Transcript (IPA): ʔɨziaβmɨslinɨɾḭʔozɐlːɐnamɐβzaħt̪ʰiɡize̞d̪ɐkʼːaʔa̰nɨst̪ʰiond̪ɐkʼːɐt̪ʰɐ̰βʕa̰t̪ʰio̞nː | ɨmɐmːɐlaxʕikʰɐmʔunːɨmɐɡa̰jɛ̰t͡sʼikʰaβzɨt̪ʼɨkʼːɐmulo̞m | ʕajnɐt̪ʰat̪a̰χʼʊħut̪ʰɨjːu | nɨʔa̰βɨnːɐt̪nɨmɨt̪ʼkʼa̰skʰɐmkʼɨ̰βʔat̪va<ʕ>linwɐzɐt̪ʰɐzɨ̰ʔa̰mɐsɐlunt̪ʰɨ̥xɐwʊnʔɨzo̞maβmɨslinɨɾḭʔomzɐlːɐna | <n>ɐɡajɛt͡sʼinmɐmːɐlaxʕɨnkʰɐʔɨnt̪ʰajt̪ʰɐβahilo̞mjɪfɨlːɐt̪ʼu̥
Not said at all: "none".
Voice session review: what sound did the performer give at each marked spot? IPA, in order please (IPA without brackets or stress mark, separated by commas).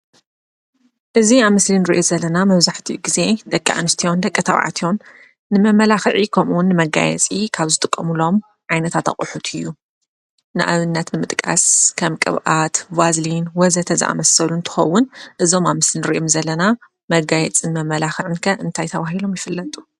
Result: z, m